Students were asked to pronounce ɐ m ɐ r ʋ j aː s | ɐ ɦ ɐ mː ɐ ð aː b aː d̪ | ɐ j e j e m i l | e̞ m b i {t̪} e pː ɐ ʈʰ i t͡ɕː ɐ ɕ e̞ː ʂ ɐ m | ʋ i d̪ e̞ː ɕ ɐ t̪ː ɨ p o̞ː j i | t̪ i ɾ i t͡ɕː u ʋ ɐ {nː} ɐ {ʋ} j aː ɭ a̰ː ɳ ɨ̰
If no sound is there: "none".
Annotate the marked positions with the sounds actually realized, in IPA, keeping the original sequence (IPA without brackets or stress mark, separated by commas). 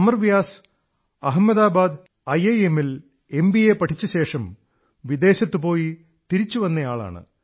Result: none, nː, none